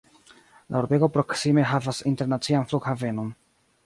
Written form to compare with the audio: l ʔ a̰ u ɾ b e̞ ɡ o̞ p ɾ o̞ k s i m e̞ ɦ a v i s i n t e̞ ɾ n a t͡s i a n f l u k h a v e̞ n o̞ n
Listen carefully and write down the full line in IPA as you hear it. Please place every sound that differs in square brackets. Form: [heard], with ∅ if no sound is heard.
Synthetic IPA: l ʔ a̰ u ɾ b e̞ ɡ o̞ p ɾ o̞ k s i m e̞ ɦ a v [a] s i n t e̞ ɾ n a t͡s i a n f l u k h a v e̞ n o̞ n